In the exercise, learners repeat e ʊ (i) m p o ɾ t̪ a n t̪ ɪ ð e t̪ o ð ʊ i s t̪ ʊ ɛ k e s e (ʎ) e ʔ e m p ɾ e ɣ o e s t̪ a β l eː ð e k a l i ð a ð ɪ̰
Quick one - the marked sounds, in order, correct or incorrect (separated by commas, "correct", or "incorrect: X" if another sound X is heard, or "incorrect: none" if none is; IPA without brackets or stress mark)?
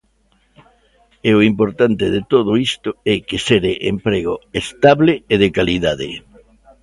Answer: correct, incorrect: ɾ